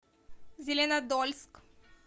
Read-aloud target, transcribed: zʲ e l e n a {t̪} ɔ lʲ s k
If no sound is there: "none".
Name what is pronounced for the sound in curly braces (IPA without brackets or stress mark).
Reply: d̪